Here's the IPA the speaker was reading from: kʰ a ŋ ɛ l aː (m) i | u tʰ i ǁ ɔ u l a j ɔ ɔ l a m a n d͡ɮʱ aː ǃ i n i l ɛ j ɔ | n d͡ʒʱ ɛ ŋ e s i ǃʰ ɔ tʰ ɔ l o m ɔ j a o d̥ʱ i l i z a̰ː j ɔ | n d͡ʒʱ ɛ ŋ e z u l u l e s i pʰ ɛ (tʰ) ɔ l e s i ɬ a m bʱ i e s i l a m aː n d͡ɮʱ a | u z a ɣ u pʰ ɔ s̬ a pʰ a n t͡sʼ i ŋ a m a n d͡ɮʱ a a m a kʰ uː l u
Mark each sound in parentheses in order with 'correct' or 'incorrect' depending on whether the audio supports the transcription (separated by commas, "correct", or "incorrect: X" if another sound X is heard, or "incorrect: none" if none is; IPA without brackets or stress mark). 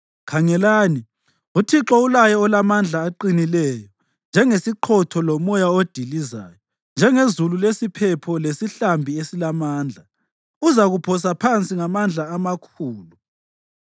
incorrect: n, incorrect: pʰ